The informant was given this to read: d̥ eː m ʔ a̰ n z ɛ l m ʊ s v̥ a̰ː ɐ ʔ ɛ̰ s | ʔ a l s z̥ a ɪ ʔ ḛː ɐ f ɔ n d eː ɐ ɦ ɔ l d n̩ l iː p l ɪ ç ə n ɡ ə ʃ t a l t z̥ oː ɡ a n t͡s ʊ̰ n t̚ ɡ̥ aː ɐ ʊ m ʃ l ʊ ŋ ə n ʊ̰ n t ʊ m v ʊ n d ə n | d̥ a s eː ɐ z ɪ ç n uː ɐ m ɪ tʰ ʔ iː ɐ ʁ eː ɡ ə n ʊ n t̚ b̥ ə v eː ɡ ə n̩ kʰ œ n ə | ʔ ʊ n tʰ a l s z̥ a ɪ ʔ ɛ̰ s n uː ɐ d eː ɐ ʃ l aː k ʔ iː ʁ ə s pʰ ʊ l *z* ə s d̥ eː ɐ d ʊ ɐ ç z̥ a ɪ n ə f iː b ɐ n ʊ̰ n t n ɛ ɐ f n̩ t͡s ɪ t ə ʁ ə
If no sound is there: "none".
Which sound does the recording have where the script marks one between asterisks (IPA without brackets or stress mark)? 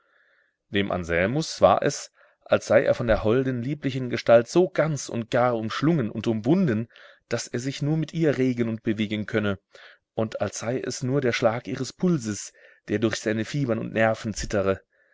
z